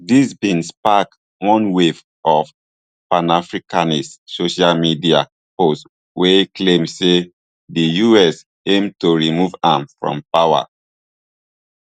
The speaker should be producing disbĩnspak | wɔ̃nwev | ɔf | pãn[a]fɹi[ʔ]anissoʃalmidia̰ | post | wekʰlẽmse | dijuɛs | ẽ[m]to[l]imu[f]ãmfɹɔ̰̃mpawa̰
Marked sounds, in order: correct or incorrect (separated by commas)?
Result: correct, incorrect, correct, incorrect, incorrect